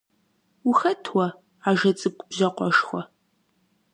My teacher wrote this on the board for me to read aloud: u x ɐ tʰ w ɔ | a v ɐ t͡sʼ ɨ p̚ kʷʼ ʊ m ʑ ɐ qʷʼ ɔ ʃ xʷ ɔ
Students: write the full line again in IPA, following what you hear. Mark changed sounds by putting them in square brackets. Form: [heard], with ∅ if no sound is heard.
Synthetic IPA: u x ɐ tʰ w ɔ | a [ʒ] ɐ t͡sʼ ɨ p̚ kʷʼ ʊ [b] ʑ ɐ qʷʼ ɔ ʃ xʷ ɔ